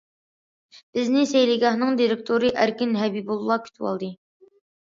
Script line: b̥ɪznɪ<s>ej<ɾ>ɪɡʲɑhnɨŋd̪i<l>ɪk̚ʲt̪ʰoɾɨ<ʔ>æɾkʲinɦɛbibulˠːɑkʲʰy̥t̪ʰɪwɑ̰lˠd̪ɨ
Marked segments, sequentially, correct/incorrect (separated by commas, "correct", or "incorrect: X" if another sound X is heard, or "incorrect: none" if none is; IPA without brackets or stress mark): correct, incorrect: l, incorrect: ɾ, correct